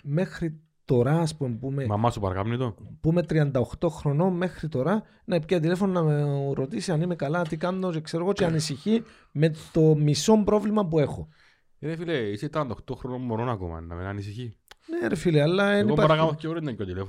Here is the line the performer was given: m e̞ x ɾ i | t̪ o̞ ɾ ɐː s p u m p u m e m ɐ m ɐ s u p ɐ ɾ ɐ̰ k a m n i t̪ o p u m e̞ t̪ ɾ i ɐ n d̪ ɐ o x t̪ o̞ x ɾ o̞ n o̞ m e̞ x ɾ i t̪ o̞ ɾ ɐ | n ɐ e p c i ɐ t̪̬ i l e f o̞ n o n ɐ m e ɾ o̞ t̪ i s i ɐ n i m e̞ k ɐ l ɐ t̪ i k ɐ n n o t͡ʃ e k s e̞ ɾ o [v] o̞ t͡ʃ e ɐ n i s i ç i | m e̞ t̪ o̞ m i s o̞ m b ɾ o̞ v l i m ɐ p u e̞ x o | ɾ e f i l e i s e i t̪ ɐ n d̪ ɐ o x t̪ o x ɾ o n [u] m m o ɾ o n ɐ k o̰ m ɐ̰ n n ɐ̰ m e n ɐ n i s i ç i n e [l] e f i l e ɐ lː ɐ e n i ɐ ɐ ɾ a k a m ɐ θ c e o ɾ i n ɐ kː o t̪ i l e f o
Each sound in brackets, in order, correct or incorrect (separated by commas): incorrect, incorrect, incorrect